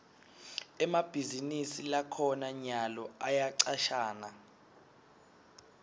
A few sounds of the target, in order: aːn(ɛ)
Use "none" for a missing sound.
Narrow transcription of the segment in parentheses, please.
a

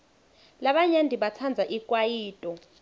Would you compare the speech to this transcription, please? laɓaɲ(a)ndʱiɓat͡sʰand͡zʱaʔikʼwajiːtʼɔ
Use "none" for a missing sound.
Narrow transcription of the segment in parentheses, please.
a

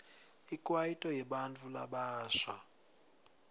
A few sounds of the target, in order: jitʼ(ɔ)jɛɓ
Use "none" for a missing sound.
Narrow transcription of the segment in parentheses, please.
ɔ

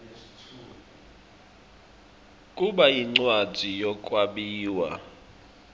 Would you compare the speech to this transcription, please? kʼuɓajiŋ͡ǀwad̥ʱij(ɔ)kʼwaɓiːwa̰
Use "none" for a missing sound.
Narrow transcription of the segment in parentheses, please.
ɔ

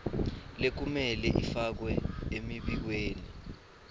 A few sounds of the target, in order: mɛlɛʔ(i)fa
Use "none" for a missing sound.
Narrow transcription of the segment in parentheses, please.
i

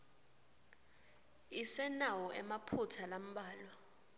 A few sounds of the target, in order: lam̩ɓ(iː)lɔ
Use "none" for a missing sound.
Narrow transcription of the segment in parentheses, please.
aː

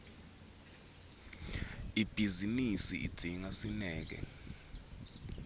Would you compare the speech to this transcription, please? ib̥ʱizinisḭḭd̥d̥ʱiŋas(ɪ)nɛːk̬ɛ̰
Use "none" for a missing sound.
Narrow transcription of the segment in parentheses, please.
i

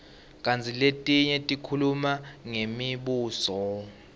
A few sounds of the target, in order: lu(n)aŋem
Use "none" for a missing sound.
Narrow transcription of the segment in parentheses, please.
m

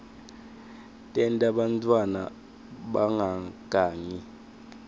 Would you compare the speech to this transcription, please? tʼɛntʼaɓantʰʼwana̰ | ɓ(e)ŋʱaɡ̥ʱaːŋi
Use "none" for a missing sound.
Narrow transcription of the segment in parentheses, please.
a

